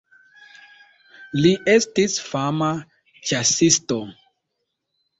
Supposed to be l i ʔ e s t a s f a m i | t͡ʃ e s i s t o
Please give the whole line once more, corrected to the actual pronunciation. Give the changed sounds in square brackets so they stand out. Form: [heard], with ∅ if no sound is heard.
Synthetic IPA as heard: l i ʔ e s t [i] s f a m [a] | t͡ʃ [a] s i s t o